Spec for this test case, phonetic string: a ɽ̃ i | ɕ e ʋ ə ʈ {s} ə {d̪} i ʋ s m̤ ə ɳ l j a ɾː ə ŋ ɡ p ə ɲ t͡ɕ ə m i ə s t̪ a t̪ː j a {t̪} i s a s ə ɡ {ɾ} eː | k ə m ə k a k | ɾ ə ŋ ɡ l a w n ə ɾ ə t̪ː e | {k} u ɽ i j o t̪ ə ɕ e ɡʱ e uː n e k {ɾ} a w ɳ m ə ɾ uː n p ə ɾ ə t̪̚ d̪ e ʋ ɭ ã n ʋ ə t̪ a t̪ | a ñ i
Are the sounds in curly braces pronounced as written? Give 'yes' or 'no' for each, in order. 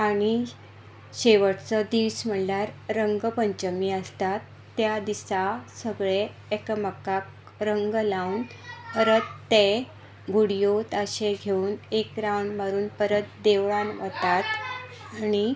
no, yes, no, no, no, yes

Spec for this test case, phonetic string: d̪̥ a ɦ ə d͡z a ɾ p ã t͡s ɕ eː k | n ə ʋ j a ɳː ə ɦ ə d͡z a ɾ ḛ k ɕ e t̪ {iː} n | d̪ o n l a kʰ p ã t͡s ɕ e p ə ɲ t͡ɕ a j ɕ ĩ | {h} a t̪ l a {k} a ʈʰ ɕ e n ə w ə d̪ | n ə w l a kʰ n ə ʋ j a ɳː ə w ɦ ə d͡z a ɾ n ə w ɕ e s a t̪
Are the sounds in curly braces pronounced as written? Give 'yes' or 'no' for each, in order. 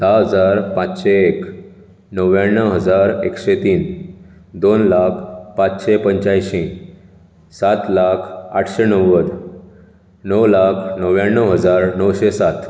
yes, no, no

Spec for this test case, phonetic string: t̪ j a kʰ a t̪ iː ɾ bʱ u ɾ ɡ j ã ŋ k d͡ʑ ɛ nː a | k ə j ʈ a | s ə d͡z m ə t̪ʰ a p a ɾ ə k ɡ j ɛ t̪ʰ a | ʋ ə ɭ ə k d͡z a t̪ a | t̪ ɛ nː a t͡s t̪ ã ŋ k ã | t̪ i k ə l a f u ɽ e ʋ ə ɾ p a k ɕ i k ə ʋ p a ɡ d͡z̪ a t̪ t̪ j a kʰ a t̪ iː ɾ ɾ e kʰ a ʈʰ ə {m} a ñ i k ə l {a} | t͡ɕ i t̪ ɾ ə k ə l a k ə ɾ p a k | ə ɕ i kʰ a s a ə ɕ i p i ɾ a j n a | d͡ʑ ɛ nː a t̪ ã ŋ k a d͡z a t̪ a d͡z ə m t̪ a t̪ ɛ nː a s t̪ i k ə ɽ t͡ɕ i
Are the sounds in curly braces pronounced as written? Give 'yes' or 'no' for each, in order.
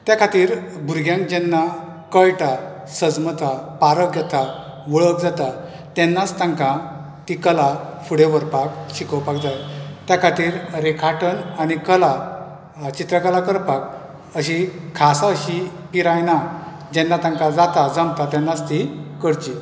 no, yes

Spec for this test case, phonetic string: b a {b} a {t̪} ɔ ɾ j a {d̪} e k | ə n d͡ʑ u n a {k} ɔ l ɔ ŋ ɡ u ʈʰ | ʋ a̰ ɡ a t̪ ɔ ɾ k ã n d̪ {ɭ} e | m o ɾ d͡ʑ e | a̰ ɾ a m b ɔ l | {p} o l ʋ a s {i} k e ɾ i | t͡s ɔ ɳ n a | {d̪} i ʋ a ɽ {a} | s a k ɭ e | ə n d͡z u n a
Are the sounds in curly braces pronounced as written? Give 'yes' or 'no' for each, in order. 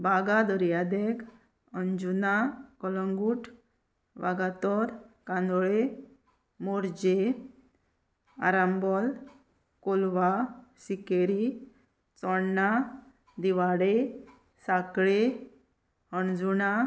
no, no, yes, yes, yes, no, yes, yes, no

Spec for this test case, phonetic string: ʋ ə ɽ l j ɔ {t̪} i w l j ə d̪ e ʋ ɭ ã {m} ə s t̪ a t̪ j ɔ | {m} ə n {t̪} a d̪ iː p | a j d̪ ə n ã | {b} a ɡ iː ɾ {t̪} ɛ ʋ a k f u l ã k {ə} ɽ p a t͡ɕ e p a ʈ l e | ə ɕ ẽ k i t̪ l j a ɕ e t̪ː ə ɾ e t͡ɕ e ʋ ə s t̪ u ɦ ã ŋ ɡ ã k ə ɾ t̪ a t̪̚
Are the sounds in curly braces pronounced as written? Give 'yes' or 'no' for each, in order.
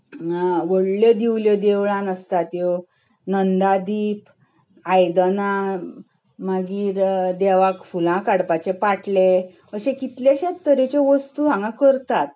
no, no, no, no, no, no, no

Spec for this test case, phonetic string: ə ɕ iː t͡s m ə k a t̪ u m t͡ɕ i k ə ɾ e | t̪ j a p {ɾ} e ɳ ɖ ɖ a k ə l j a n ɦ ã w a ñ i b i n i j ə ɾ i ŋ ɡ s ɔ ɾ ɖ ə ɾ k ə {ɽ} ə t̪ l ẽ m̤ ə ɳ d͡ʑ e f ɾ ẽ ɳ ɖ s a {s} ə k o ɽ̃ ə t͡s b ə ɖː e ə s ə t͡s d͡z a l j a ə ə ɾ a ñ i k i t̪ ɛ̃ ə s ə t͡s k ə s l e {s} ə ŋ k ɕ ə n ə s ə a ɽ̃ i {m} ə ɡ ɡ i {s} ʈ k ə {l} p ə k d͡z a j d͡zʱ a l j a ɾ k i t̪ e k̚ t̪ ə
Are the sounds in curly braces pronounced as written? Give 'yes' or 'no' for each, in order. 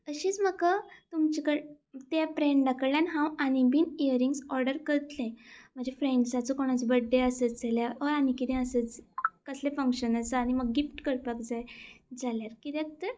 yes, no, no, no, yes, no, no

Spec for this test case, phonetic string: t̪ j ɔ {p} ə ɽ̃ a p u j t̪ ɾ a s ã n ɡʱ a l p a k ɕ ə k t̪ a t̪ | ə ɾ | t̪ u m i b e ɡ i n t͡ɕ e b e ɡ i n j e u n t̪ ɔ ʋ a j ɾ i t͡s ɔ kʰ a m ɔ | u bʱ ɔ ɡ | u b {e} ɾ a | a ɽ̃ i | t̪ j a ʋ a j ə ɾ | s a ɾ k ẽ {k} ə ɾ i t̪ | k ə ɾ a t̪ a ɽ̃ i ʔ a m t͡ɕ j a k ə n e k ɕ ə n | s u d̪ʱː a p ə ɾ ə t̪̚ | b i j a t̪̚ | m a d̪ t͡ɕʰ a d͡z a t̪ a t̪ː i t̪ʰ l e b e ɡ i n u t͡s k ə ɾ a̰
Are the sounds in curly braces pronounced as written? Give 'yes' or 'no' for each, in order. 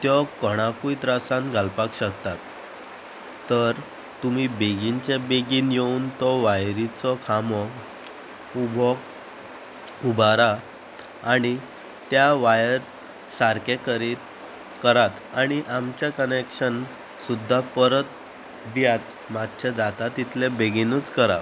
no, no, yes

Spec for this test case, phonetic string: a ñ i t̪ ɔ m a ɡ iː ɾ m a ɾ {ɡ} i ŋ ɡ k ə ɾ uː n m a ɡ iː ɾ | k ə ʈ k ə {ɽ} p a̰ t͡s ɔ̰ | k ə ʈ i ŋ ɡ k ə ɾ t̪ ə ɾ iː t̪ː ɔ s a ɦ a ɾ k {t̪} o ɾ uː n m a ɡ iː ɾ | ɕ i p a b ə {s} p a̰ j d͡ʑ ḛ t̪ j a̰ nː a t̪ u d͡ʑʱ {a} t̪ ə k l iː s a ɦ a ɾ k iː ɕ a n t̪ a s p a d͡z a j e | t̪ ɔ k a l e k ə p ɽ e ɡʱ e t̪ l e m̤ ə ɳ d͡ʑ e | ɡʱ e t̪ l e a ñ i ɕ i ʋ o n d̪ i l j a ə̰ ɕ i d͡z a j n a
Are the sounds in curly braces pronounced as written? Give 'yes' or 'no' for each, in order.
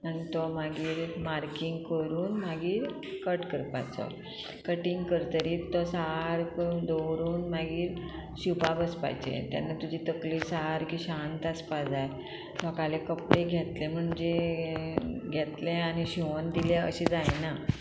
no, no, no, yes, no

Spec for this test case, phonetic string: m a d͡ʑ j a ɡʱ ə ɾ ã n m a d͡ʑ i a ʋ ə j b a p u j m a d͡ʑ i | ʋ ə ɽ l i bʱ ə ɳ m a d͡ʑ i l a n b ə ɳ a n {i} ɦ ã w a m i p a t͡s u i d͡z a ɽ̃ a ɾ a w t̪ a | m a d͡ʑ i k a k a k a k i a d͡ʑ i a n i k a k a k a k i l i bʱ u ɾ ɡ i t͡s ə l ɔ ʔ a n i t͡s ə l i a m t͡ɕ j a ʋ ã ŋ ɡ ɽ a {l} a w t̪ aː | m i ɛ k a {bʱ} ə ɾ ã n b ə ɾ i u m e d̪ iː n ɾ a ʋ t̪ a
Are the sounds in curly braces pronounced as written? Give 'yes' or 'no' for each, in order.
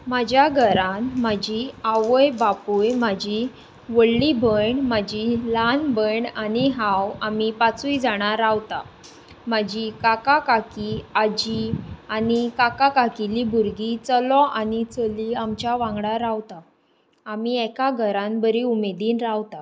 yes, no, no

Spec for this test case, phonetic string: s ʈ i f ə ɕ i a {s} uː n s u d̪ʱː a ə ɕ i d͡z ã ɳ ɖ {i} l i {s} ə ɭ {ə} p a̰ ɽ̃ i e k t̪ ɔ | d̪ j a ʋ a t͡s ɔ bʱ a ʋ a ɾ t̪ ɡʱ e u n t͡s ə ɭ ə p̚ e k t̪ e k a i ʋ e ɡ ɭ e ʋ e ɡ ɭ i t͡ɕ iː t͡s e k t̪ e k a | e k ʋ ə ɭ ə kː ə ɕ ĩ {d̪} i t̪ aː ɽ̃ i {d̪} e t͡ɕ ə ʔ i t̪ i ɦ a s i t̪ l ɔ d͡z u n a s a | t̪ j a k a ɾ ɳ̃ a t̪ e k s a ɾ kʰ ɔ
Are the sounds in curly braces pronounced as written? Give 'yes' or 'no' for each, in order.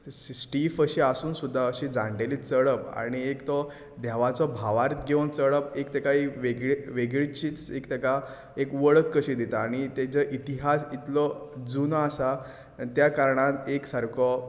yes, no, no, yes, yes, no

